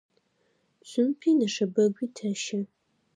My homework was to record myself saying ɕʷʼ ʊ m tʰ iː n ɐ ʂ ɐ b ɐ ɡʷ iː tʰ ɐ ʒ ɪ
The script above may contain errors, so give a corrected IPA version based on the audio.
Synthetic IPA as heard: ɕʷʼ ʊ m pʰ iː n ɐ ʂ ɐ b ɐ ɡʷ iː tʰ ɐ ʃ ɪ